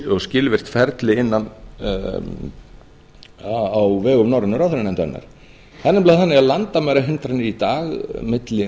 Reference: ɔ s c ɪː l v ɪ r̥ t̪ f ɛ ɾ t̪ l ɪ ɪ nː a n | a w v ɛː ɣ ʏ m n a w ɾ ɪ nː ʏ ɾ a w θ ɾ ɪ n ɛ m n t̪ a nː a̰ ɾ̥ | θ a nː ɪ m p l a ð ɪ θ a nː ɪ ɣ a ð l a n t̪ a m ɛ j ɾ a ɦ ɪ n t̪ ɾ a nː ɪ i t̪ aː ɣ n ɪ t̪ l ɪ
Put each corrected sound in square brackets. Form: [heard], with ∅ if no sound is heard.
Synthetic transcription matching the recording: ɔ s c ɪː l v ɪ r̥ t̪ f ɛ ɾ t̪ l ɪ ɪ nː a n | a w v ɛː ɣ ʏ m n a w ɾ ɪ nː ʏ ɾ a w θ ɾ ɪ n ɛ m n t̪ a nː a̰ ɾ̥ | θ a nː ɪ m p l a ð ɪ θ a nː ɪ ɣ a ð l a n t̪ a m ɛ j ɾ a ɦ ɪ n t̪ ɾ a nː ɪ i t̪ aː ɣ [m] ɪ t̪ l ɪ

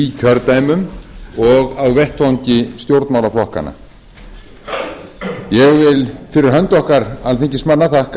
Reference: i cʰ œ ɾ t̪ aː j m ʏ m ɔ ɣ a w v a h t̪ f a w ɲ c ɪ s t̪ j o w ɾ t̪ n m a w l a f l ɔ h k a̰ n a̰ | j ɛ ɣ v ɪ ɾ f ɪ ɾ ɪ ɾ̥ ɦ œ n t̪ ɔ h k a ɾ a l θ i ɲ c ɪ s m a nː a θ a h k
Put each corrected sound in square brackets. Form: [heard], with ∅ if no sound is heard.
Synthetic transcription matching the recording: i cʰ œ ɾ t̪ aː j m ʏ m ɔ ɣ a w v [ɛ] h t̪ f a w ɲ c ɪ s t̪ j o w ɾ t̪ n m a w l a f l ɔ h k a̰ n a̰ | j ɛ ɣ v ɪ [l] f ɪ ɾ ɪ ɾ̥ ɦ œ n t̪ ɔ h k a ɾ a l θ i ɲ c ɪ s m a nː a θ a h k

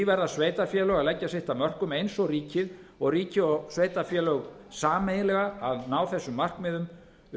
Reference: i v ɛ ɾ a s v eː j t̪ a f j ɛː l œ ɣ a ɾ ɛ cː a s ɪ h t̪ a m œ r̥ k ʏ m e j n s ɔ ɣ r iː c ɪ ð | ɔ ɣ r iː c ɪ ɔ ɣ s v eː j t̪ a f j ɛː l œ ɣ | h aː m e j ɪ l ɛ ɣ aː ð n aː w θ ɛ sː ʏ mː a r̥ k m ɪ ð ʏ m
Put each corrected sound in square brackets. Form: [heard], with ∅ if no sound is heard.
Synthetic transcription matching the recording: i v ɛ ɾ a s v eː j t̪ a f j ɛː l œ ɣ a [l] ɛ cː a s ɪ h t̪ a m œ r̥ k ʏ m e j n s ɔ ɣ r iː c ɪ ð | ɔ ɣ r iː c ɪ ɔ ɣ s v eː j t̪ a f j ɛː l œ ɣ | [s] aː m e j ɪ l ɛ ɣ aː ð n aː w θ ɛ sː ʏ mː a r̥ k m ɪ ð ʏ m

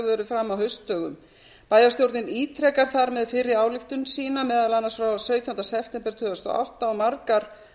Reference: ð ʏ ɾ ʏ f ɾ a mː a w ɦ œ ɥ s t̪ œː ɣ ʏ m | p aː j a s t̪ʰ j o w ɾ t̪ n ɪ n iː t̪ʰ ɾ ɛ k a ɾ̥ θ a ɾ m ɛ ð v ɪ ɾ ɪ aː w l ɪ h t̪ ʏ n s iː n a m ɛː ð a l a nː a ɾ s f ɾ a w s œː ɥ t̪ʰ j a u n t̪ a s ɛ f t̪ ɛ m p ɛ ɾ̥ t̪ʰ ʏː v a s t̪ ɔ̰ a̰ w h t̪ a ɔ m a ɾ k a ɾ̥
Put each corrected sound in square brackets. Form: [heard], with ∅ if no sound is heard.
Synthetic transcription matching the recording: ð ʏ ɾ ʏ f ɾ a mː a w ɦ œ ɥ s t̪ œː ɣ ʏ m | p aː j a s [t̪] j o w ɾ t̪ n ɪ n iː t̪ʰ ɾ ɛ k a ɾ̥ θ a ɾ m ɛ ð [f] ɪ ɾ ɪ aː w l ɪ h t̪ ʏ n s iː n a m ɛː ð a l a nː a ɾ s f ɾ a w s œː ɥ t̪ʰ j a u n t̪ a s ɛ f t̪ ɛ m p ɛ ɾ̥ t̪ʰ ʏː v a s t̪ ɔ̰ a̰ w h t̪ a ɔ m a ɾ k a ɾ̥

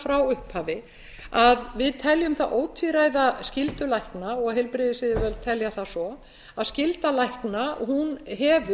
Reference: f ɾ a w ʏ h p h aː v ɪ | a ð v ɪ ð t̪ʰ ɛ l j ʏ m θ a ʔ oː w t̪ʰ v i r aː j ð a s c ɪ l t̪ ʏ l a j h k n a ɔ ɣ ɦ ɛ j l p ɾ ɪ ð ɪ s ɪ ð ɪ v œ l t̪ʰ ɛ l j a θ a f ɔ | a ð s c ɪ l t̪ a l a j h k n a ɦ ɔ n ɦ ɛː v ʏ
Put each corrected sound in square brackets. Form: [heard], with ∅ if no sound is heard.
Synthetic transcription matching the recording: f ɾ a w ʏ h p h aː v ɪ | a ð v ɪ ð t̪ʰ ɛ l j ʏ m θ a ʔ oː w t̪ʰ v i [ɾ] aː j ð a s c ɪ l t̪ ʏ l a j h k n a ɔ ɣ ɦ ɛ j l p ɾ ɪ ð ɪ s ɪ ð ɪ v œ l t̪ʰ ɛ l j a θ a [s] ɔ | a ð s c ɪ l t̪ a l a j h k n a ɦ [u] n ɦ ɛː v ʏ

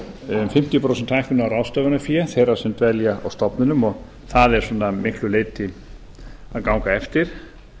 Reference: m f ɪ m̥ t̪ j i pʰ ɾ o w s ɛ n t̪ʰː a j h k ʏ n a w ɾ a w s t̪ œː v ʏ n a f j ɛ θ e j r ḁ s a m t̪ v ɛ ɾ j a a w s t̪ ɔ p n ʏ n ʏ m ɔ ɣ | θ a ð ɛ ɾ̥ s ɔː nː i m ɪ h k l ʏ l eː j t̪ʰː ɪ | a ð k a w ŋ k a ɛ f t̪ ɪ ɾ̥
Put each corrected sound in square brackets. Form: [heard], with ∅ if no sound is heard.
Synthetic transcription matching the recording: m f ɪ m̥ t̪ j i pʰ ɾ o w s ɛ n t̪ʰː a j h k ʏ n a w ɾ a w s t̪ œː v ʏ n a f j ɛ θ e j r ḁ s [ɛ] m t̪ v ɛ [l] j a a w s t̪ ɔ p n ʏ n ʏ m ɔ ɣ | θ a ð ɛ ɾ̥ s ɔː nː [a] m ɪ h k l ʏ l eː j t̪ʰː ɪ | a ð k a w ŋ k a ɛ f t̪ ɪ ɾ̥

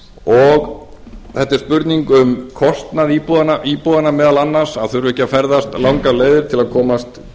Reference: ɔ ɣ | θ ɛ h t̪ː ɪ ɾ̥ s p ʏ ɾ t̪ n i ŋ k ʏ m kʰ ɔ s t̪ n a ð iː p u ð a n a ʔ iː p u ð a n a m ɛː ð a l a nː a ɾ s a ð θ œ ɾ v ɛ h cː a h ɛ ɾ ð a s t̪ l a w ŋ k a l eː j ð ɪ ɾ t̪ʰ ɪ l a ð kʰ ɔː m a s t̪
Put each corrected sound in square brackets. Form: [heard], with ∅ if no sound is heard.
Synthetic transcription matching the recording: ɔ ɣ | θ ɛ h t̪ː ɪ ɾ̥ s p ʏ ɾ t̪ n i ŋ k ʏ m kʰ ɔ s t̪ n a ð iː p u ð a n a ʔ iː p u ð a n a m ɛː ð a l a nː a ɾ s a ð θ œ ɾ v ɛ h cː a [f] ɛ ɾ ð a s t̪ l a w ŋ k a l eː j ð ɪ ɾ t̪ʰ ɪ l a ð kʰ ɔː m a s t̪

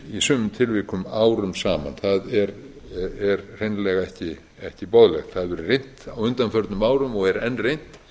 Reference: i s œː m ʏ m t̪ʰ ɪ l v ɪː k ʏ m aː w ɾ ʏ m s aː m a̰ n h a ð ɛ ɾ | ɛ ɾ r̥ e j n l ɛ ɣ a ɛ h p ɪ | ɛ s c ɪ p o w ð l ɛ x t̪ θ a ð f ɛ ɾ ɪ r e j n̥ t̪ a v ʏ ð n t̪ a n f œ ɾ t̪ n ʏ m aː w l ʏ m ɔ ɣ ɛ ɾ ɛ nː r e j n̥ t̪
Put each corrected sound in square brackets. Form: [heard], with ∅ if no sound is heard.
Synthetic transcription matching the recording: i s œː m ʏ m t̪ʰ ɪ l v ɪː k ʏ m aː w ɾ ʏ m s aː m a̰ n [θ] a ð ɛ ɾ | ɛ ɾ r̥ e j n l ɛ ɣ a ɛ h [c] ɪ | ɛ [h] c ɪ p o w ð l ɛ x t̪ θ a ð [v] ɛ ɾ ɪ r e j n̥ t̪ a [w] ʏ [∅] n t̪ a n f œ ɾ t̪ n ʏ m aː w [ɾ] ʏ m ɔ ɣ ɛ ɾ ɛ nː r e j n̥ t̪

